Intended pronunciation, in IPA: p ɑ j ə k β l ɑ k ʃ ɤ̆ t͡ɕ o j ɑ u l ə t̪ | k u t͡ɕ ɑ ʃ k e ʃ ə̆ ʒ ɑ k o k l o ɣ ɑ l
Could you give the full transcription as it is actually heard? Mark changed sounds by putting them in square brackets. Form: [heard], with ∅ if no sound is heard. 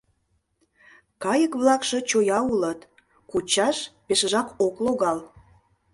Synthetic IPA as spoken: [k] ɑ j ə k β l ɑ k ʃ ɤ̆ t͡ɕ o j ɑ u l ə t̪ | k u t͡ɕ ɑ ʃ [p] e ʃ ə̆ ʒ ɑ k o k l o ɣ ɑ l